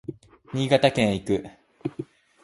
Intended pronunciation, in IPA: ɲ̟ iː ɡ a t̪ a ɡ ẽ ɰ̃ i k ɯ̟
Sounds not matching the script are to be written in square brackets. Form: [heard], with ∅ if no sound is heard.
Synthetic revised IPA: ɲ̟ iː ɡ a t̪ a [k] ẽ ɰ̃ i k ɯ̟